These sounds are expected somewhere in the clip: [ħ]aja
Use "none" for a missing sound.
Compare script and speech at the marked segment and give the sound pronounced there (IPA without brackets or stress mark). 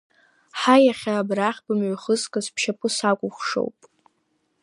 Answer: ħ